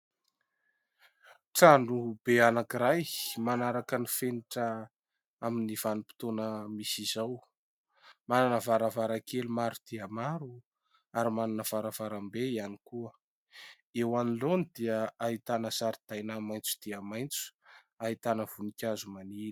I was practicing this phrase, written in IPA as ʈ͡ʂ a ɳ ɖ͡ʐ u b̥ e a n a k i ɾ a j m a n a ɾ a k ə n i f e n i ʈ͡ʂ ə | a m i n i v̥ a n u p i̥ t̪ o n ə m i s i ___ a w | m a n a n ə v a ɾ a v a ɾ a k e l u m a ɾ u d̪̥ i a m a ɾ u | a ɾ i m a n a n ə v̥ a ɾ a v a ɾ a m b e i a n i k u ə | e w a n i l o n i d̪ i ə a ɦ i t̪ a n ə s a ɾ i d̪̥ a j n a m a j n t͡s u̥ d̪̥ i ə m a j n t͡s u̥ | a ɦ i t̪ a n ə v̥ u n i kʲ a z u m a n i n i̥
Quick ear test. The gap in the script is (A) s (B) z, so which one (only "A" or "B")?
B